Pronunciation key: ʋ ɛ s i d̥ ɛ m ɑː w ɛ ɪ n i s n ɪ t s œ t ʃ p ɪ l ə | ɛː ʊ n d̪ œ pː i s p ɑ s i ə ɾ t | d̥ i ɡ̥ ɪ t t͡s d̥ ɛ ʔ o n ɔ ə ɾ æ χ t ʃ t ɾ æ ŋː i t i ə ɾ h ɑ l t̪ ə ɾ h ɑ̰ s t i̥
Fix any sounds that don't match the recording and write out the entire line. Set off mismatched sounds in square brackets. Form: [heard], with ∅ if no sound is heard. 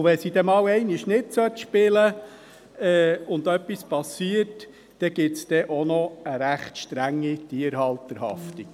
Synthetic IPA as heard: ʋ ɛ s i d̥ ɛ m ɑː w ɛ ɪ n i [ʃ] n ɪ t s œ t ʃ p ɪ l ə | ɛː ʊ n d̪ œ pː i s p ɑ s i ə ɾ t | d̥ [ɛ] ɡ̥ ɪ t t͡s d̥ ɛ ʔ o n ɔ ə ɾ æ χ t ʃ t ɾ æ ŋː i t i ə ɾ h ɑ l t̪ ə ɾ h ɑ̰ [f] t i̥

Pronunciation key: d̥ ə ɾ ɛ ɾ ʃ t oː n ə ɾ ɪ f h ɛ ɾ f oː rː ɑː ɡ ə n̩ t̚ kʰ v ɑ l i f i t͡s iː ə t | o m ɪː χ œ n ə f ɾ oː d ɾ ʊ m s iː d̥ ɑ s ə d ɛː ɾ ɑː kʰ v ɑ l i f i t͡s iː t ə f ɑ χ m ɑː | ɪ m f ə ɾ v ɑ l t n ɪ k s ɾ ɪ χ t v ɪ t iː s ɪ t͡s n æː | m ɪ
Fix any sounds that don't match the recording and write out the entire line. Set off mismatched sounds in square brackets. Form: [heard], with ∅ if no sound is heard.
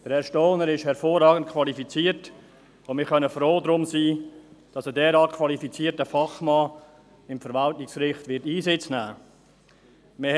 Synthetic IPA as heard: d̥ ə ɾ ɛ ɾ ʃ t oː n ə ɾ ɪ [ʃ] h ɛ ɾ f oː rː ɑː ɡ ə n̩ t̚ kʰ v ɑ l i f i t͡s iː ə t | o m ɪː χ œ n ə f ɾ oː d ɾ ʊ m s iː d̥ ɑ s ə d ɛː ɾ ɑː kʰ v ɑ l i f i t͡s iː t ə f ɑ χ m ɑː | ɪ m f ə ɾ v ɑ l t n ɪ k s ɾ ɪ χ t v ɪ t iː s ɪ t͡s n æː | m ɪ

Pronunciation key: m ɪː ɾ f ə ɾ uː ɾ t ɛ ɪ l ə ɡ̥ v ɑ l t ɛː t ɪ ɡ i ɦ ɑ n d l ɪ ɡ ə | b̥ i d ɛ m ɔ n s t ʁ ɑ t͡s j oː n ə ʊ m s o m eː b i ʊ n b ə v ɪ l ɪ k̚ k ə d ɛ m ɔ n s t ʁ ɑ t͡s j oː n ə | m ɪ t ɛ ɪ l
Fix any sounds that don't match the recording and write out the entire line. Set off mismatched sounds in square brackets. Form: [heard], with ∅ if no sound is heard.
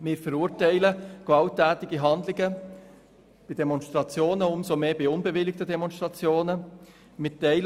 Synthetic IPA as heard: m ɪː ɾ f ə ɾ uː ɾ t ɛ ɪ l ə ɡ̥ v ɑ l t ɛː t ɪ ɡ i ɦ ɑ n d l ɪ ɡ ə | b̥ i d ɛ m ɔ n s t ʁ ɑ t͡s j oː n ə ʊ m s o m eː b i ʊ n b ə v ɪ l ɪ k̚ [t] ə d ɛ m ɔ n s t ʁ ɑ t͡s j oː n ə | m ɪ t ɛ ɪ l

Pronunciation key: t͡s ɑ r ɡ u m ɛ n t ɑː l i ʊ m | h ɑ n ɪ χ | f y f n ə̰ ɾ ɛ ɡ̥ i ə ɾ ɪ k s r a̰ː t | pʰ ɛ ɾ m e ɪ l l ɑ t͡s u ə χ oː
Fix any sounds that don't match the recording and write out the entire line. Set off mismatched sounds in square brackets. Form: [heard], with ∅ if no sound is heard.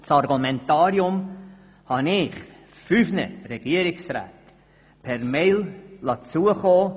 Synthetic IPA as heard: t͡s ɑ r ɡ u m ɛ n t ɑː [ɾ] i ʊ m | h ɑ n ɪ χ | f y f n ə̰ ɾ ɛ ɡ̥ i ə ɾ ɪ k s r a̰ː t | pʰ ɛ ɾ m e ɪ l l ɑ t͡s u ə χ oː

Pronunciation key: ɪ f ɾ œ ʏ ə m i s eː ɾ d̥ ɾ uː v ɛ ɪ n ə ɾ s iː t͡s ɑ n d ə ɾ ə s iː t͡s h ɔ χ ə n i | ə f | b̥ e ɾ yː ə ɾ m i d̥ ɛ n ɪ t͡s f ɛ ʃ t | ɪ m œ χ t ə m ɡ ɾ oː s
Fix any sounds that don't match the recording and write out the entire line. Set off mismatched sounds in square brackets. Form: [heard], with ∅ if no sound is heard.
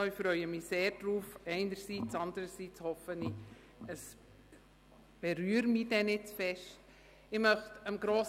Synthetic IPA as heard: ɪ f ɾ œ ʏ ə m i s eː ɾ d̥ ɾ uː [f] ɛ ɪ n ə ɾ s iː t͡s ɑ n d ə ɾ ə s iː t͡s h ɔ [f] ə n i | ə [s] | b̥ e ɾ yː ə ɾ m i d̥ ɛ n ɪ t͡s f ɛ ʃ t | ɪ m œ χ t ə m ɡ ɾ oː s

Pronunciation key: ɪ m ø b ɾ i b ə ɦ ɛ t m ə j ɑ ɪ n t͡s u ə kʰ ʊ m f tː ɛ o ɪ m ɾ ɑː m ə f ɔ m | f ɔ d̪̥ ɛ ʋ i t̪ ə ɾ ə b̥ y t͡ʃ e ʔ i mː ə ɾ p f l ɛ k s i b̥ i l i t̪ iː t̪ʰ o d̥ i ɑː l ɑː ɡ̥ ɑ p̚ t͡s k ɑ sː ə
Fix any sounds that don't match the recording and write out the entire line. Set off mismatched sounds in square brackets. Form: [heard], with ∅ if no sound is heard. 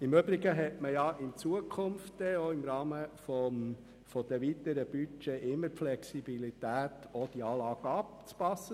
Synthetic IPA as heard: ɪ m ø b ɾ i [ɡ] ə ɦ ɛ t m ə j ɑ ɪ n t͡s u ə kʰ ʊ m f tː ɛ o ɪ m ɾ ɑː m ə f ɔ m | f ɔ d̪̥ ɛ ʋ i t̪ ə ɾ ə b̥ y t͡ʃ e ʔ [ɪ] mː ə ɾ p f l ɛ k s i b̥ i l i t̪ [æː] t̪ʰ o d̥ i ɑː l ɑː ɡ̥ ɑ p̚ t͡s [p] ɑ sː ə

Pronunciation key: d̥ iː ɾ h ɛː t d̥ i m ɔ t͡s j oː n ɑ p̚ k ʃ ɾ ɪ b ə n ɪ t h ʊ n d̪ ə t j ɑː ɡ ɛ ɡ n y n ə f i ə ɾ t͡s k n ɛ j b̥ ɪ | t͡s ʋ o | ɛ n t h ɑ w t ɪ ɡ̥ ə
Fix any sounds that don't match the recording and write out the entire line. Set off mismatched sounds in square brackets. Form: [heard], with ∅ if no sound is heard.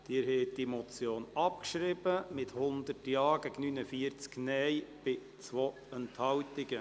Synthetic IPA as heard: d̥ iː ɾ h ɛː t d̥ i m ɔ t͡s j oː n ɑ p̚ k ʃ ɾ ɪ b ə [m] ɪ t h ʊ n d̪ ə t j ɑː ɡ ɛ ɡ n y n ə f i ə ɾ t͡s k n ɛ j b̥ ɪ | t͡s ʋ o | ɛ n t h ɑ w t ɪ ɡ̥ ə

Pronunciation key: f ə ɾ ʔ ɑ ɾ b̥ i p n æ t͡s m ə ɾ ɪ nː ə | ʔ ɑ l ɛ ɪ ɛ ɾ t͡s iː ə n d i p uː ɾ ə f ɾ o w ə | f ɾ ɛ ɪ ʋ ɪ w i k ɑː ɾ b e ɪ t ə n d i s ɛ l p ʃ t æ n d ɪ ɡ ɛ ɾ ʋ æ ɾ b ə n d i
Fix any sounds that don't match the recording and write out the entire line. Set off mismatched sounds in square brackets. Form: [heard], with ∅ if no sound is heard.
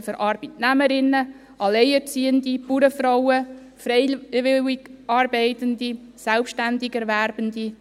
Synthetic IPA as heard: f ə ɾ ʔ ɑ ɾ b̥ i [t] n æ [∅] m ə ɾ ɪ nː ə | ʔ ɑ l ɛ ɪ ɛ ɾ t͡s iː ə n d i p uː ɾ ə f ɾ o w ə | f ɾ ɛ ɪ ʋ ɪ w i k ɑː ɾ b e ɪ t ə n d i s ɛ l p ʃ t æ n d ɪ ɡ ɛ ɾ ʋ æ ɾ b ə n d i

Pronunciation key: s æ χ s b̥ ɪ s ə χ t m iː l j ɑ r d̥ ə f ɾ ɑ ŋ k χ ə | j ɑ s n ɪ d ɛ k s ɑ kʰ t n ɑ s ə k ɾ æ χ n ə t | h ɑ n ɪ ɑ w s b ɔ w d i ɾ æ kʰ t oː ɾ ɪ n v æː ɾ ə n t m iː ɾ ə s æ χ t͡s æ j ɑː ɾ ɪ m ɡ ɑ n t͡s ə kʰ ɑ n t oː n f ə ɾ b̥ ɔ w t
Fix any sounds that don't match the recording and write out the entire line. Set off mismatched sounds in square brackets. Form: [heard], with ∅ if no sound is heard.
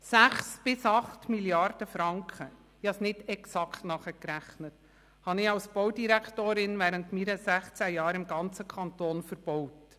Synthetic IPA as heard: s æ χ s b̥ ɪ s [ɑ] χ t m [i] l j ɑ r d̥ ə f ɾ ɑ ŋ k χ ə | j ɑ s n ɪ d ɛ k s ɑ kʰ t n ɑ [χ] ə k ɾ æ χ n ə t | h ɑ n ɪ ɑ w s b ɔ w d i ɾ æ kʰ t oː ɾ ɪ n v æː ɾ ə n t m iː ɾ ə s æ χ t͡s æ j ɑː ɾ ɪ m ɡ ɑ n t͡s ə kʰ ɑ n t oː n f ə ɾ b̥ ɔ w t

